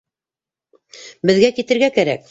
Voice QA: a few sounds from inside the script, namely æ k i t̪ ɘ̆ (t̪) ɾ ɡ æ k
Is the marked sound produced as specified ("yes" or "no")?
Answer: no